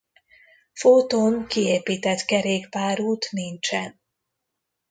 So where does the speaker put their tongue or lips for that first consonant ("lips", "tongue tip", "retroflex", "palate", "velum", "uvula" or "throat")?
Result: lips